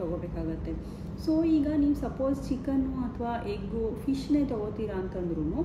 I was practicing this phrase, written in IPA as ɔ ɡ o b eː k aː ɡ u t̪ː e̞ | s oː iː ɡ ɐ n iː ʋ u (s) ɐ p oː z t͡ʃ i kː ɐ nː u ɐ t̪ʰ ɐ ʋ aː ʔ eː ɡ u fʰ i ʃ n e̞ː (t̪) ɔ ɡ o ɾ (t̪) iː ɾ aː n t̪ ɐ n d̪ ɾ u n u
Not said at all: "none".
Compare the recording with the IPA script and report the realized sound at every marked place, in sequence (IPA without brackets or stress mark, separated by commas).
s, t̪, t̪